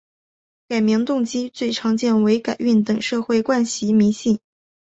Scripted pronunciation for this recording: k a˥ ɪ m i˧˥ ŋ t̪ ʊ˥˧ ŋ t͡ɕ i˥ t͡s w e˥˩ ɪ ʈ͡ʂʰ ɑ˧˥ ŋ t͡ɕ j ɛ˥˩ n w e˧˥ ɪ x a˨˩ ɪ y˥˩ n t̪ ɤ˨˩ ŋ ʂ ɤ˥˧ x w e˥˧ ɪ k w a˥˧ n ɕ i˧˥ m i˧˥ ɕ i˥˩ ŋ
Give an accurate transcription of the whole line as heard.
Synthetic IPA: k a˨˩ ɪ m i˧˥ ŋ t̪ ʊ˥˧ ŋ t͡ɕ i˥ t͡s w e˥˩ ɪ ʈ͡ʂʰ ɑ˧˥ ŋ t͡ɕ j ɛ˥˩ n w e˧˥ ɪ k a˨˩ ɪ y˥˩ n t̪ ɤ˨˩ ŋ ʂ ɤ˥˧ x w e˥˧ ɪ k w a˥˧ n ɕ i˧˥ m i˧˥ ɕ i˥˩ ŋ